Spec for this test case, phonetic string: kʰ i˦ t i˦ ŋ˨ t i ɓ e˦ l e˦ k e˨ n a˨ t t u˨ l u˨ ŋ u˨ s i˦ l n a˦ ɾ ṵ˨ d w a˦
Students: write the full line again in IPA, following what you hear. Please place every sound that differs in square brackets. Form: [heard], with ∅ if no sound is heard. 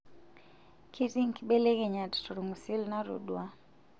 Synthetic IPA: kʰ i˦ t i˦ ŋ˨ [k] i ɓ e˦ l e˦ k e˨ [ɲ] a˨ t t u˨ [ɾ] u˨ ŋ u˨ s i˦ l n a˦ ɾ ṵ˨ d w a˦